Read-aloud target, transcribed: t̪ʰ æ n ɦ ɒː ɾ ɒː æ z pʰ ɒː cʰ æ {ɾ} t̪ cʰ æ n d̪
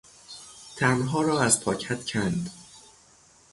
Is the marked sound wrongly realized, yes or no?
yes